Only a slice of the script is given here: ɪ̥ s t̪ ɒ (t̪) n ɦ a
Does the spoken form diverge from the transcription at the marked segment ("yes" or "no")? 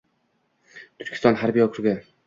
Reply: yes